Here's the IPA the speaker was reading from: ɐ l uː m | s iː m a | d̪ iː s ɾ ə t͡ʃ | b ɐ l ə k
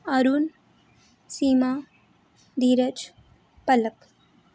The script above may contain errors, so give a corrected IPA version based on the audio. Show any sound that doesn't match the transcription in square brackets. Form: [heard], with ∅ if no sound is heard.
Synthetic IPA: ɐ [ɾ] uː [n] | s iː m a | d̪ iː [∅] ɾ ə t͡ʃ | [p] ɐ l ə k

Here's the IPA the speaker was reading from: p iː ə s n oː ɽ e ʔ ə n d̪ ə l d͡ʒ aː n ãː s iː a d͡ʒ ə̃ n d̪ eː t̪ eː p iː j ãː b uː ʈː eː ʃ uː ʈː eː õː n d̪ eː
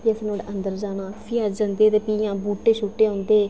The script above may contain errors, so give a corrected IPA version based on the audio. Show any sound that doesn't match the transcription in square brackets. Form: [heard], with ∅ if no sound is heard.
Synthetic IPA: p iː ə s n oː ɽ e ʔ ə n d̪ ə [ɾ] d͡ʒ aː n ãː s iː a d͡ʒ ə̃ n d̪ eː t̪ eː p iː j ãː b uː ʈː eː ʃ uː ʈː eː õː n d̪ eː

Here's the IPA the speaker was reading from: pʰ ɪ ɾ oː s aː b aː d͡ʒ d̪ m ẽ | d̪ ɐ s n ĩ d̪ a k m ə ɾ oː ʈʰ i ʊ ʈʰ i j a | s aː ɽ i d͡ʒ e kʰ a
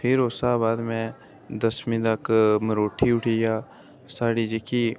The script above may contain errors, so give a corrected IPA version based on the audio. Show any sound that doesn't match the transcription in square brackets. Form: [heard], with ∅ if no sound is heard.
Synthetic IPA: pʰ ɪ ɾ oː s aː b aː [∅] d̪ m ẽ | d̪ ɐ s [m] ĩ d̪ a k m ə ɾ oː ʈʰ i ʊ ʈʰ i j a | s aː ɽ i d͡ʒ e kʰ [i]

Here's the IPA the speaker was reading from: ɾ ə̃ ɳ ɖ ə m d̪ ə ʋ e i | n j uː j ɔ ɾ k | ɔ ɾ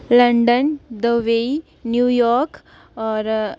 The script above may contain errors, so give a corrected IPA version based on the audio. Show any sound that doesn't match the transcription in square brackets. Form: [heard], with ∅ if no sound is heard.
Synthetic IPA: [l] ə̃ ɳ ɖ ə [n] d̪ ə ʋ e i | n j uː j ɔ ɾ k | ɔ ɾ

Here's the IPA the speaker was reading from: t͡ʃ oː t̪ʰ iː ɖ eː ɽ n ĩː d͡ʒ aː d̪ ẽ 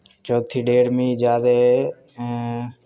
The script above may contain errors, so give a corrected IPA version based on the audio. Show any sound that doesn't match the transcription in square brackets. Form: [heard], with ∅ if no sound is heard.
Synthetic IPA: t͡ʃ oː t̪ʰ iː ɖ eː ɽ [m] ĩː d͡ʒ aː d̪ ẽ

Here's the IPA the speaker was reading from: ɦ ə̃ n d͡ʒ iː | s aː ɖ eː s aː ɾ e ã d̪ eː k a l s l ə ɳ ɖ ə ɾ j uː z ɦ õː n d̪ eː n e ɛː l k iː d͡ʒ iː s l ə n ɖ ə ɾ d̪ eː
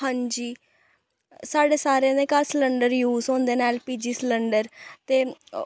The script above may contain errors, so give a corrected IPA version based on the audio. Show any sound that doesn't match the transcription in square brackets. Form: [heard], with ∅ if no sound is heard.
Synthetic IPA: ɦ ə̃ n d͡ʒ iː | s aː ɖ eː s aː ɾ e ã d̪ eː k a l s l ə ɳ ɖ ə ɾ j uː z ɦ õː n d̪ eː n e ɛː l [p] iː d͡ʒ iː s l ə [ɳ] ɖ ə ɾ [t̪] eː

